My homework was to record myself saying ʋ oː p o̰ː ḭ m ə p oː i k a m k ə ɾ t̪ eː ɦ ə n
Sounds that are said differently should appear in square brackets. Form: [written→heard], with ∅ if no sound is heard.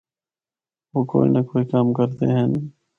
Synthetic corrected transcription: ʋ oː [p→k] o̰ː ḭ [m→n] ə [p→k] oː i k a m k ə ɾ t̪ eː ɦ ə n